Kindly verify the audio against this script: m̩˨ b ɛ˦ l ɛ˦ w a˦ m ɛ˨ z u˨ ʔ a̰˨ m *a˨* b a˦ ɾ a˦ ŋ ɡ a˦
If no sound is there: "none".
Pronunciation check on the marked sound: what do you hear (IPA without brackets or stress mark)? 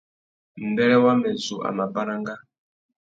a˨